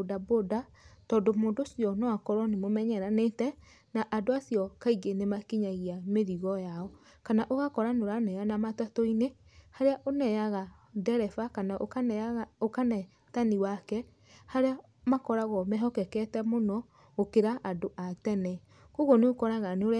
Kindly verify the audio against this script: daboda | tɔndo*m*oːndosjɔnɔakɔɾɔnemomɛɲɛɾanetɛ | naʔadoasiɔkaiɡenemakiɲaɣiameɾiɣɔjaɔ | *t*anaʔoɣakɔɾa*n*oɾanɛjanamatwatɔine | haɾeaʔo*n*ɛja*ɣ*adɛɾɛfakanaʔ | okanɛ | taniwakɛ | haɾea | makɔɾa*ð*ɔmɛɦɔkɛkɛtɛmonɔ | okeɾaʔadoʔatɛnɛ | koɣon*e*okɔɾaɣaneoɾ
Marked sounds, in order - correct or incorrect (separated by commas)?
correct, incorrect, correct, correct, correct, incorrect, correct